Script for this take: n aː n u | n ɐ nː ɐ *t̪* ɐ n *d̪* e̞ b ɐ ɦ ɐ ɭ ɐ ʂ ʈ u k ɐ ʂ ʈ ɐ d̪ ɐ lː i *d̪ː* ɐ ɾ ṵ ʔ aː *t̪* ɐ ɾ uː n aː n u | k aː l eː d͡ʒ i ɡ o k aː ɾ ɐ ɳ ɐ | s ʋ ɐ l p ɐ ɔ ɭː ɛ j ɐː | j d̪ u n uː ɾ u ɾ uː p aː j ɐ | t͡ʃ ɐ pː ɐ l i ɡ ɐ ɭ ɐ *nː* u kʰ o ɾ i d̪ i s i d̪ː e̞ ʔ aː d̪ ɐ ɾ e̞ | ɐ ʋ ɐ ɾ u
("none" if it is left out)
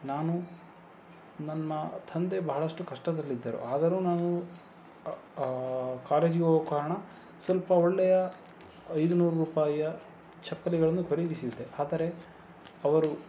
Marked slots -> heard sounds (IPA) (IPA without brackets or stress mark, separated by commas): t̪ʰ, d̪, d̪ː, d̪, nː